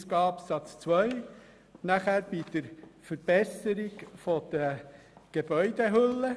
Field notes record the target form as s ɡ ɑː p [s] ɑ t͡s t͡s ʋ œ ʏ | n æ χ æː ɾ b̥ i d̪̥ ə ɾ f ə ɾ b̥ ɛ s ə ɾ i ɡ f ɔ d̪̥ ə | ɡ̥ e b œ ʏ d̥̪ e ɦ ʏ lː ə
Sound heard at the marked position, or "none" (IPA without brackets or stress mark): s